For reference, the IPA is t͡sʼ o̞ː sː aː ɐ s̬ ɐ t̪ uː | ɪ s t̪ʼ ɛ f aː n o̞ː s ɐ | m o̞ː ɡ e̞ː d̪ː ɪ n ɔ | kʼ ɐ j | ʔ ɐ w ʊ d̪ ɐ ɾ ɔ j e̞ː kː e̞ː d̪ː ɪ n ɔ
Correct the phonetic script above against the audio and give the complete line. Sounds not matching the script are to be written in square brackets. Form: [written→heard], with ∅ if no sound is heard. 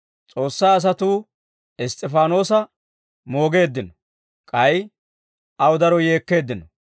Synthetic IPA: t͡sʼ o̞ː sː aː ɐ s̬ ɐ t̪ uː | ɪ s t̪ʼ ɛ f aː n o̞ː s ɐ | m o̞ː ɡ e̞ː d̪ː ɪ n ɔ | kʼ ɐ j | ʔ ɐ w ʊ d̪ ɐ ɾ ɔ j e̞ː kː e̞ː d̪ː ɪ n ɔ